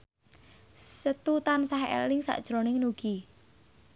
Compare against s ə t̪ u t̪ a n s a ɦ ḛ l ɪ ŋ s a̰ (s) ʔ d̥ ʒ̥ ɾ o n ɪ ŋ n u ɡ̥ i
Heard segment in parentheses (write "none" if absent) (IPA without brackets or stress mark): none